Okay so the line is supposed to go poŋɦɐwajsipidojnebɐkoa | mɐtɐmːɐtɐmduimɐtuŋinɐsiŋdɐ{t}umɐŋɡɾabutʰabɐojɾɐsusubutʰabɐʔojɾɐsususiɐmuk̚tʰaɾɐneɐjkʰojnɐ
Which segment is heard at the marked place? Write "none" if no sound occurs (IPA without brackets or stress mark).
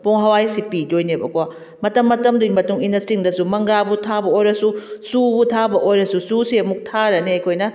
s